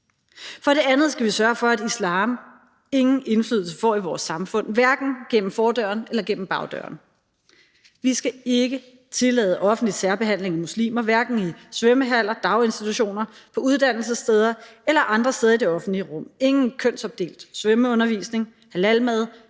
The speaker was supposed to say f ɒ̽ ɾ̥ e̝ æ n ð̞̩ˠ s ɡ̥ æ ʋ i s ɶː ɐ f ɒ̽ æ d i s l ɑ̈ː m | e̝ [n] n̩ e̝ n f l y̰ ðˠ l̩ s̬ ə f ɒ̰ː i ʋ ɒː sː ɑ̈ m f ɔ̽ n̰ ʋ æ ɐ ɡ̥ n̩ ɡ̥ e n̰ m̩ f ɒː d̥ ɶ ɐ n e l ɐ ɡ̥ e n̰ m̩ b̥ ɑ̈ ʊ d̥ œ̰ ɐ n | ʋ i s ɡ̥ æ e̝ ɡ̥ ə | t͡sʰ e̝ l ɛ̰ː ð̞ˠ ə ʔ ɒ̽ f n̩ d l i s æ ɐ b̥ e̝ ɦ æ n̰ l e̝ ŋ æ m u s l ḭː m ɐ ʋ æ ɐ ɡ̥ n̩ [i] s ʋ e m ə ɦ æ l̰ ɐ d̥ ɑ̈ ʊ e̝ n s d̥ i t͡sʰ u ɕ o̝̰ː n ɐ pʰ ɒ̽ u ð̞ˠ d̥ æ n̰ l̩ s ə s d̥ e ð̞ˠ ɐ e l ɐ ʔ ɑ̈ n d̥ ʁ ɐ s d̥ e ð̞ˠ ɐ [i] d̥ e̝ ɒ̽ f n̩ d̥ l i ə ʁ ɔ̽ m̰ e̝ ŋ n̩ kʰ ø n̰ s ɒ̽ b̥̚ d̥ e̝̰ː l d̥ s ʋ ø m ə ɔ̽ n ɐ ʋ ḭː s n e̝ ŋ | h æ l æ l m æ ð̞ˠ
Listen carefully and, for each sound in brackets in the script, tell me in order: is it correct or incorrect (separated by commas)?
incorrect, correct, correct